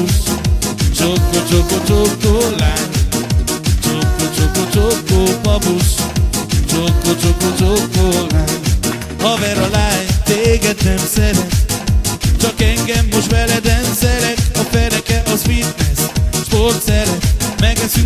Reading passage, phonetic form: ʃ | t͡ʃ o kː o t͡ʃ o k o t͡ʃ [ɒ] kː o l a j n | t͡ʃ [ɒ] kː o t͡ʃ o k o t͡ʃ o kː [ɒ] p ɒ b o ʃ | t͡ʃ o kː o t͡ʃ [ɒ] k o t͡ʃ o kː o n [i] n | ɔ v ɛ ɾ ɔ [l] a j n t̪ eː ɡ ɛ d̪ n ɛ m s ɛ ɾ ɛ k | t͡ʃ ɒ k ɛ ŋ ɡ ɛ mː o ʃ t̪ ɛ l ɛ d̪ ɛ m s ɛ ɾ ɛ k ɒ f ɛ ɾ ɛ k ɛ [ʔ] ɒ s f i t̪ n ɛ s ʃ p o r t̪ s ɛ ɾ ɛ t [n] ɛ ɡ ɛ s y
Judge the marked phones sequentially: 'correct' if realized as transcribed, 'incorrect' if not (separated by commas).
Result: incorrect, incorrect, incorrect, incorrect, incorrect, correct, correct, incorrect